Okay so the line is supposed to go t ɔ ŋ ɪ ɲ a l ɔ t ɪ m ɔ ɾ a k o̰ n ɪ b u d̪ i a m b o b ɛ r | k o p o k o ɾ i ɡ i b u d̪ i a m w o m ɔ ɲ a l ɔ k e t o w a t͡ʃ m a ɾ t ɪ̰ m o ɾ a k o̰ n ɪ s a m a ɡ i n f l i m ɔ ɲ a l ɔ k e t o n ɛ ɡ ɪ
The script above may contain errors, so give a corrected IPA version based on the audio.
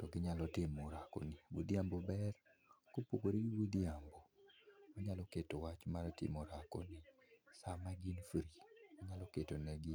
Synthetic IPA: t ɔ ɡ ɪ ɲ a l ɔ t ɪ m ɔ ɾ a k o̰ n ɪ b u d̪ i a m b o b ɛ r | k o p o k o ɾ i ɡ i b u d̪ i a m b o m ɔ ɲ a l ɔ k e t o w a t͡ʃ m a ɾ t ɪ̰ m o ɾ a k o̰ n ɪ s a m a ɡ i n f ɾ i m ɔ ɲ a l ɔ k e t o n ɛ ɡ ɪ